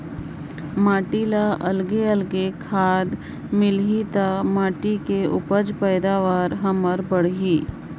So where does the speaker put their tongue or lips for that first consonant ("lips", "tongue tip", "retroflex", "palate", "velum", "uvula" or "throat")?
lips